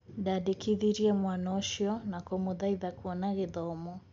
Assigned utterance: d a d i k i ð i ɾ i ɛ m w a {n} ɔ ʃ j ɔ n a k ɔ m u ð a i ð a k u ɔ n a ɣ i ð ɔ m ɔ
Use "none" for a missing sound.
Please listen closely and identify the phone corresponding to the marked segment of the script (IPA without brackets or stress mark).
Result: n